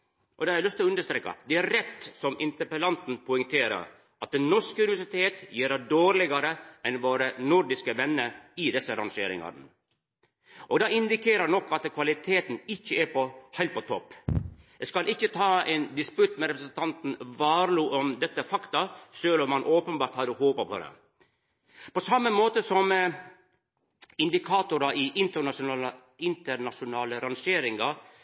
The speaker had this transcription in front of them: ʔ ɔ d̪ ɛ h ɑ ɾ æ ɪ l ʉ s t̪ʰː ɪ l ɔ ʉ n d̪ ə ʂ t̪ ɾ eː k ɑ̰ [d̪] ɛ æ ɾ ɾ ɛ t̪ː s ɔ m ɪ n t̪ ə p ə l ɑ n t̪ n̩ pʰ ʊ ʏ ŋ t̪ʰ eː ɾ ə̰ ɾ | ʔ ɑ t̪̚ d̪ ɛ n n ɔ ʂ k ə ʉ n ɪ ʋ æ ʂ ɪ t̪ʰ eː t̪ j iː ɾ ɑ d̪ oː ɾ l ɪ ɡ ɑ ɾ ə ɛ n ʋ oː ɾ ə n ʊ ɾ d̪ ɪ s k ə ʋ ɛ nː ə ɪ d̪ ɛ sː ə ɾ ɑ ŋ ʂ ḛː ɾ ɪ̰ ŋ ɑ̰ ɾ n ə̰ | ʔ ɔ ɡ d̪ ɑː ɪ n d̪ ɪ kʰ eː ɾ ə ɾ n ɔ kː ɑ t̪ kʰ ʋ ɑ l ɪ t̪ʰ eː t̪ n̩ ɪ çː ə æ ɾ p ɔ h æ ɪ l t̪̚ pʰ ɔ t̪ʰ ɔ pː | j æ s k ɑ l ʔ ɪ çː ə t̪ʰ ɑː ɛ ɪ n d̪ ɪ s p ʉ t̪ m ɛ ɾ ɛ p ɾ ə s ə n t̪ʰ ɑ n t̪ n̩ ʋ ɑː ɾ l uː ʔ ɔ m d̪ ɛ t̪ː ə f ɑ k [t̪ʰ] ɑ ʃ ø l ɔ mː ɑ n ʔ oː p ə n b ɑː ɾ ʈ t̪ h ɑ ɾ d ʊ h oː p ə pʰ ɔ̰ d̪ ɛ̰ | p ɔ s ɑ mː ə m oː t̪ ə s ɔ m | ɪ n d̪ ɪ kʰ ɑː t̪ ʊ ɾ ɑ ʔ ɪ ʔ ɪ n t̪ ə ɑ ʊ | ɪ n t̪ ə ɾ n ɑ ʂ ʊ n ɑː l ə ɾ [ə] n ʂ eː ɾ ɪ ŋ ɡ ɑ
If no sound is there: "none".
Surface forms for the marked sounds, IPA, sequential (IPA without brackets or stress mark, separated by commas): d̪, t̪, ɑ